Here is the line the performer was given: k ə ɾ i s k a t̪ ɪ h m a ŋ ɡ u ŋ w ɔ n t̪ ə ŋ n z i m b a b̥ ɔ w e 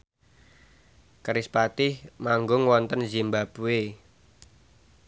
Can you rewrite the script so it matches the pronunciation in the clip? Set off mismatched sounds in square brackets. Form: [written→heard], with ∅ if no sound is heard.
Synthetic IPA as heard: k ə ɾ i s [k→p] a t̪ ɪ h m a ŋ ɡ [u→ʊ] ŋ w ɔ n t̪ ə [ŋ→∅] n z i m b a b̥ [ɔ→u] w e